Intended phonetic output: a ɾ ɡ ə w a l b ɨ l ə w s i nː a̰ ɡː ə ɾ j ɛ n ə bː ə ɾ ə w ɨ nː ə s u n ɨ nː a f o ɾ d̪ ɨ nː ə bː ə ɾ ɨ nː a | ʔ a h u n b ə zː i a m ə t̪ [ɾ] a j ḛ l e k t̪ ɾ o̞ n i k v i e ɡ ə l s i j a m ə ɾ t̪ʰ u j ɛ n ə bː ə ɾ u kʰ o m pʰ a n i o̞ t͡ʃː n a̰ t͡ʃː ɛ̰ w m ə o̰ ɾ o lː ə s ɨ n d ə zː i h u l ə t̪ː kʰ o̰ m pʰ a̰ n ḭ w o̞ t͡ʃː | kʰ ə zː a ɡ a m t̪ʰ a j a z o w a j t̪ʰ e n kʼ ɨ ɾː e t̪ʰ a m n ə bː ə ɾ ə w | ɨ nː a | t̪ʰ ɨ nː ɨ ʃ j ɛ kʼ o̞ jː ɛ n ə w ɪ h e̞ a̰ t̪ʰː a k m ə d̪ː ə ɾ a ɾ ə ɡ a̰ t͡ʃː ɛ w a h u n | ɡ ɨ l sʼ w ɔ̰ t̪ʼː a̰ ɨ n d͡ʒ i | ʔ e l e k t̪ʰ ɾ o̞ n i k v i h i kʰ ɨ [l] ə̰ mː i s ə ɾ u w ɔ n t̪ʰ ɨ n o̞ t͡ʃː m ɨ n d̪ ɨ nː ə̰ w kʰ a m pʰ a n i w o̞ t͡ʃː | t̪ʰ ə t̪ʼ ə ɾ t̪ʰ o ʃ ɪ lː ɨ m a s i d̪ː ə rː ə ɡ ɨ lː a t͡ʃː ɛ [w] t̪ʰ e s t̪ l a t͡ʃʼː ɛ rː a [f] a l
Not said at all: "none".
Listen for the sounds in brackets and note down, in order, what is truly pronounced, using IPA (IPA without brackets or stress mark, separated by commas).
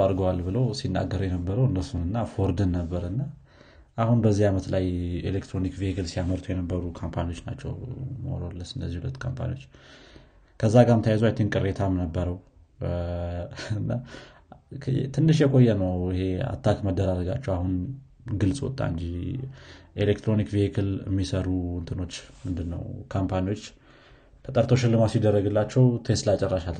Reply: l, l, w, ʃ